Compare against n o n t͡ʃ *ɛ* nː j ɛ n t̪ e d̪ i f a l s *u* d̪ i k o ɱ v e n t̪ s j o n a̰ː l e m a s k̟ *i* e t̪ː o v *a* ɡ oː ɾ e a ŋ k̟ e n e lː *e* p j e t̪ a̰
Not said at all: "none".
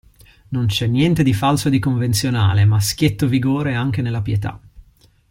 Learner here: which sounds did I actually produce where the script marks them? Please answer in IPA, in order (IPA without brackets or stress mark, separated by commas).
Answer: ɛ, o, j, i, a